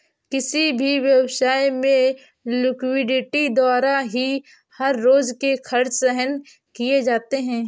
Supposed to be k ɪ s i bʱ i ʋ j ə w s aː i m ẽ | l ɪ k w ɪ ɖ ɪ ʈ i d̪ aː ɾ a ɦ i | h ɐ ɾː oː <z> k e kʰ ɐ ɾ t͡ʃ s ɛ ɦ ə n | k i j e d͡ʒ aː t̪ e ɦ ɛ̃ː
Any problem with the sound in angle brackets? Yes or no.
no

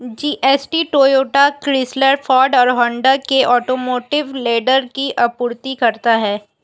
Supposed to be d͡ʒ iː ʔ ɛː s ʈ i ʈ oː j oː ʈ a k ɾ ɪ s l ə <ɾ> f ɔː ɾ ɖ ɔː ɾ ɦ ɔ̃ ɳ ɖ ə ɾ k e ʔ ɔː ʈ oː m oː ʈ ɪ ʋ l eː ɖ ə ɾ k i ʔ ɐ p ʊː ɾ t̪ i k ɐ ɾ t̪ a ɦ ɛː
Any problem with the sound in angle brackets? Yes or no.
no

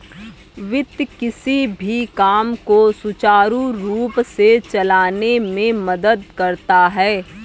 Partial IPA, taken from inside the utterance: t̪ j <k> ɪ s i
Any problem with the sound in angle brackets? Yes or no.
no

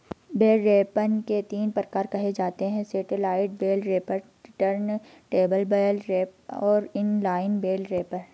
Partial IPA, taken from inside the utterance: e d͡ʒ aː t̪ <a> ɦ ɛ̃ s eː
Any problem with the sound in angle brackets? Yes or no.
yes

